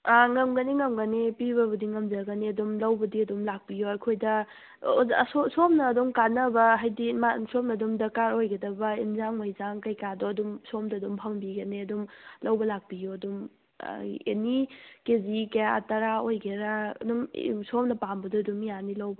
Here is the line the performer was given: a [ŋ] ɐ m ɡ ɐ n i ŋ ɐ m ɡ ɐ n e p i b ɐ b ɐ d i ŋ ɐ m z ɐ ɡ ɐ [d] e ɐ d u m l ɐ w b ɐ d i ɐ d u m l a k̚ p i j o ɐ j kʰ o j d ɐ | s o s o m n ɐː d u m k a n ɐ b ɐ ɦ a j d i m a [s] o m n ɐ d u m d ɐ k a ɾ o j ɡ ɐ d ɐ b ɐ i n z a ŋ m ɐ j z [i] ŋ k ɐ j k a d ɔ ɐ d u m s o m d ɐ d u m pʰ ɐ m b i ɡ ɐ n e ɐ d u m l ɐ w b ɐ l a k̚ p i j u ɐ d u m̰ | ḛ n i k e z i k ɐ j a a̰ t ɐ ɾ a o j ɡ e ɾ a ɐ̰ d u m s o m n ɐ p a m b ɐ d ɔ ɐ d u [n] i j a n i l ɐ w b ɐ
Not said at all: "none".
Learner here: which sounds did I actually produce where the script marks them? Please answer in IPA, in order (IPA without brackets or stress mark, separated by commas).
ŋ, n, s, a, m